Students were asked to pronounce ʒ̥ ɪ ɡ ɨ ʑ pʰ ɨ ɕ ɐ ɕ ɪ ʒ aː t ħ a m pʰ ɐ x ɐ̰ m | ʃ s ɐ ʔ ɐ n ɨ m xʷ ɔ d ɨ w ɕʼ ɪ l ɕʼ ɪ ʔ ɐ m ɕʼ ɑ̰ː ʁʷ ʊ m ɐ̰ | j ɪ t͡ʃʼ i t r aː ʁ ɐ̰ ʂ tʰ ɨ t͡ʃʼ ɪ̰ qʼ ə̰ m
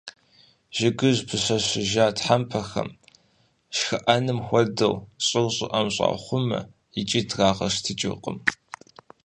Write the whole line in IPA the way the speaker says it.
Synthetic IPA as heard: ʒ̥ ɪ ɡ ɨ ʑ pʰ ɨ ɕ ɐ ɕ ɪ ʒ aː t ħ a m pʰ ɐ x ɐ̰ m | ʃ x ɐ ʔ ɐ n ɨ m xʷ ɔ d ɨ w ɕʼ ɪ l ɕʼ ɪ ʔ ɐ m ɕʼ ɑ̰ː χʷ ʊ m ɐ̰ | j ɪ t͡ʃʼ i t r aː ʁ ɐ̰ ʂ tʰ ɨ t͡ʃʼ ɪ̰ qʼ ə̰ m